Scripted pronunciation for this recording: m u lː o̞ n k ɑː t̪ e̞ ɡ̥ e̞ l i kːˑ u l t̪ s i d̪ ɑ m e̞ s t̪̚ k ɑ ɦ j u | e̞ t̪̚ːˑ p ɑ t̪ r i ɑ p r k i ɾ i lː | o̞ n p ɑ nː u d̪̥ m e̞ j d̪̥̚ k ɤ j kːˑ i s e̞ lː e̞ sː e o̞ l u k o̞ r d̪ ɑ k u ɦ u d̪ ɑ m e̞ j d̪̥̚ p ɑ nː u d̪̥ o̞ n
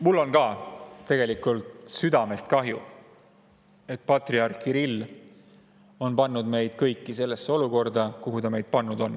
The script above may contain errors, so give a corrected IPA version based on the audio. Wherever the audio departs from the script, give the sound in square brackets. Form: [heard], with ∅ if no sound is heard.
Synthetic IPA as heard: m u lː o̞ n k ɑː t̪ e̞ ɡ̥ e̞ l i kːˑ u l t̪ s [y] d̪ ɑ m e̞ s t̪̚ k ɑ ɦ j u | e̞ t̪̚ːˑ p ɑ t̪ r i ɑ [∅] r k i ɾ i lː | o̞ n p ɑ nː u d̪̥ m e̞ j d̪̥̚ k ɤ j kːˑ i s e̞ lː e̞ sː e o̞ l u k o̞ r d̪ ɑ k u ɦ u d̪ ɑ m e̞ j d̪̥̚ p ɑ nː u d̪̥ o̞ n